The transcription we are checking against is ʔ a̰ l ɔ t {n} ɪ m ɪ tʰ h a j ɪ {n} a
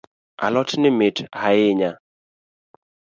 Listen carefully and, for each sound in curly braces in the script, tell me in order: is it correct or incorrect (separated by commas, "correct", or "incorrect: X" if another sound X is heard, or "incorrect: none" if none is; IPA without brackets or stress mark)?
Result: correct, incorrect: ɲ